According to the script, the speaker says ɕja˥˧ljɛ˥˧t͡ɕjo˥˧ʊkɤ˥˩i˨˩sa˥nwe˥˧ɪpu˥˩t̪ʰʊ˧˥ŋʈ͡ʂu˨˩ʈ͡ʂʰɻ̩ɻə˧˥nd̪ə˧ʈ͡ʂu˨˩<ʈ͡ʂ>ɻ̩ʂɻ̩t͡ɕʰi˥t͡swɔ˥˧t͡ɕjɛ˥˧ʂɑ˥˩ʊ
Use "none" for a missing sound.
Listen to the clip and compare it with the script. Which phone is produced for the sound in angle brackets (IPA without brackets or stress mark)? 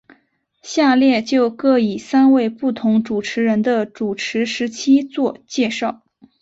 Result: ʈ͡ʂʰ